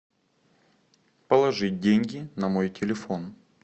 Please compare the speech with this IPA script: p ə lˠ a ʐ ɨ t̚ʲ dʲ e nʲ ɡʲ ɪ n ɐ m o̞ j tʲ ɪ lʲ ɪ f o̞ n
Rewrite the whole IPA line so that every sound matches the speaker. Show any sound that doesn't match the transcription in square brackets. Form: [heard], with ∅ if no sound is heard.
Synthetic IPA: p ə lˠ [ɐ] ʐ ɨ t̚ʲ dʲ e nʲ ɡʲ ɪ n ɐ m o̞ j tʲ ɪ lʲ ɪ f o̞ n